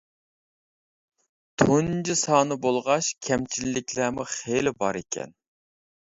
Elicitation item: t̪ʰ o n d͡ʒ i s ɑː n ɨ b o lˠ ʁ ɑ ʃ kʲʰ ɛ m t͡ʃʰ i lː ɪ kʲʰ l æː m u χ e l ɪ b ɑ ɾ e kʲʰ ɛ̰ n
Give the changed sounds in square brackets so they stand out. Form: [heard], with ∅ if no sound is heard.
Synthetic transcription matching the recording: t̪ʰ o n d͡ʒ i s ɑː n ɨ b o lˠ ʁ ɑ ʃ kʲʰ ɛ m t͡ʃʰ i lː ɪ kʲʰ l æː m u χ e l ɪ b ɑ ɾ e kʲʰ ɛ̰ n